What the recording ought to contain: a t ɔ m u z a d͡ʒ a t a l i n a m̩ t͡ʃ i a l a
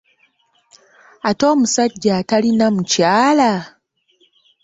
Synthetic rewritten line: a t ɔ m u s a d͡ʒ a t a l i n a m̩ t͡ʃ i a l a